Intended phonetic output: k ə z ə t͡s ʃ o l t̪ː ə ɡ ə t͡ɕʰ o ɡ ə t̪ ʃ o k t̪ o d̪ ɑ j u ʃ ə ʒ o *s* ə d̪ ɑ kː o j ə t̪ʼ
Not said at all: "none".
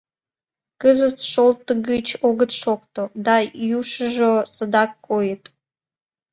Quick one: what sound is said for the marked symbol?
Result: s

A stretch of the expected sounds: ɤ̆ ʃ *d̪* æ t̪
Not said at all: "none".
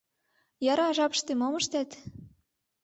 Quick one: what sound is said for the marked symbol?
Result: t̪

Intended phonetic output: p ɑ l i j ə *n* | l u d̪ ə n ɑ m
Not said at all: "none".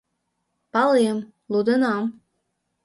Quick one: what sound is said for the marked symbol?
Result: m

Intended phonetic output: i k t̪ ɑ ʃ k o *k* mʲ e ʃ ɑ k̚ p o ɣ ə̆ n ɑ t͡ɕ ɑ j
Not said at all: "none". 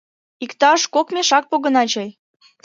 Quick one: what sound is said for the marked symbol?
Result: k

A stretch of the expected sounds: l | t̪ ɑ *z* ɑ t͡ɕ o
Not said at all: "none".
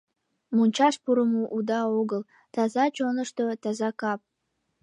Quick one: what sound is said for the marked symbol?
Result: z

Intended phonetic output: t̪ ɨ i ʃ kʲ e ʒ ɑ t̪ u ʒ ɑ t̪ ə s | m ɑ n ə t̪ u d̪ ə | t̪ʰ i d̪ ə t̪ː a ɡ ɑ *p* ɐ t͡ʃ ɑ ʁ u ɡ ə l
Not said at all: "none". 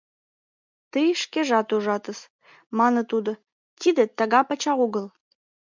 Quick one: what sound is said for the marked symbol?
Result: p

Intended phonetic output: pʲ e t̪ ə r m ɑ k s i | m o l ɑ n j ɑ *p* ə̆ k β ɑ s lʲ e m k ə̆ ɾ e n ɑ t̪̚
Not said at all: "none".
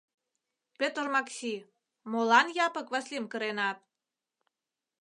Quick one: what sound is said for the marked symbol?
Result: p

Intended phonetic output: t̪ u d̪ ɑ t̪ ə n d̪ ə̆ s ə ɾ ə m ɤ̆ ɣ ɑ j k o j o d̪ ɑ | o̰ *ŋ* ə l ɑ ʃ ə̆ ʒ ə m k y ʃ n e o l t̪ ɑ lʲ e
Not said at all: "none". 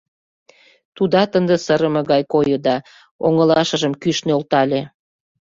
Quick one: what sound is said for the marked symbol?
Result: ŋ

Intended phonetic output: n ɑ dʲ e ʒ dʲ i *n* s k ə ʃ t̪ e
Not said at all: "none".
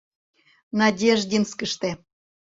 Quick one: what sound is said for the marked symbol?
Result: n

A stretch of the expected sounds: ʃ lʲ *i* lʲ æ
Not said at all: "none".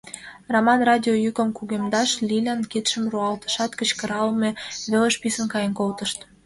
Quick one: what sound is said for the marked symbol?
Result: i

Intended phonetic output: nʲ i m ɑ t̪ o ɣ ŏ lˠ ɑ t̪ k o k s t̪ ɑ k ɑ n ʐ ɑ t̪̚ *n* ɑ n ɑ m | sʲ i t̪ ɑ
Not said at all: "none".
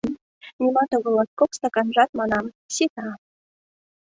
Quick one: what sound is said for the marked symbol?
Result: m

